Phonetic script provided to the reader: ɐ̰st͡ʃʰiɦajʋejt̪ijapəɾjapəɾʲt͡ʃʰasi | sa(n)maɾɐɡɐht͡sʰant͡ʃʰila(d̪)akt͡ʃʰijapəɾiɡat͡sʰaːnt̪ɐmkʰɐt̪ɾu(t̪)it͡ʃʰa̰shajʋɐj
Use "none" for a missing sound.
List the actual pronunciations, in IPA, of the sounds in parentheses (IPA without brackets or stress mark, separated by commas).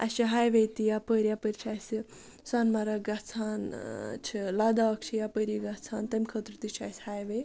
n, d̪, t̪